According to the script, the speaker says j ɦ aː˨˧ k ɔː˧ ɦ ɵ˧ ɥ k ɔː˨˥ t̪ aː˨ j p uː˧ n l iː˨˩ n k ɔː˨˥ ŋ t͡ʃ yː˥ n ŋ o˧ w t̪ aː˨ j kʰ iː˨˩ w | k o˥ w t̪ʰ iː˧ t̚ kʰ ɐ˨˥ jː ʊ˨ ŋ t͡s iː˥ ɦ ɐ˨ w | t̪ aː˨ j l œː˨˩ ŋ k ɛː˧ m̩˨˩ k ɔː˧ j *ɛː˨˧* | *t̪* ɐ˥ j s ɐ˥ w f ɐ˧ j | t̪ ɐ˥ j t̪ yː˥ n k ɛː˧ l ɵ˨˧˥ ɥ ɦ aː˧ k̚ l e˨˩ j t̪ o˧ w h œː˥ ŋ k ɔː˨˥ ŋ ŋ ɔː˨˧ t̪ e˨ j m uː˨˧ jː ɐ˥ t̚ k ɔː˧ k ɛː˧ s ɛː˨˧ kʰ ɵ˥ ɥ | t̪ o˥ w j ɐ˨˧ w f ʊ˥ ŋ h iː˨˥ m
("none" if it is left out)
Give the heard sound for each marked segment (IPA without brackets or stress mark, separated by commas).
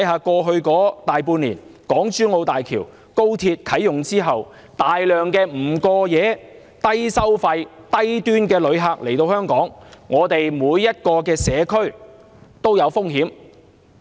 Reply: ɛː˨˧, t̪